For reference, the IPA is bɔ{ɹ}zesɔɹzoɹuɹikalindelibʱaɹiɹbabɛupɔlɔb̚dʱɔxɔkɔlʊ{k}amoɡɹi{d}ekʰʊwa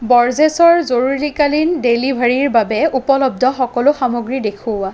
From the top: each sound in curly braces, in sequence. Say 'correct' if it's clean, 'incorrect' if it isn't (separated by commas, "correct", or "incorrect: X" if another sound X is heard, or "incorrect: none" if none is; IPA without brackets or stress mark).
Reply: correct, incorrect: x, correct